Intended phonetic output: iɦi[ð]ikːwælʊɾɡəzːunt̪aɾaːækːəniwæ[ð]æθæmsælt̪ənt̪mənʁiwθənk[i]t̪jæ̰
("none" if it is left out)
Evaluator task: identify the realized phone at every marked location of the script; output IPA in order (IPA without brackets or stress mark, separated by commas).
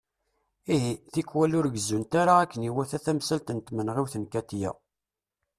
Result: θ, θ, æ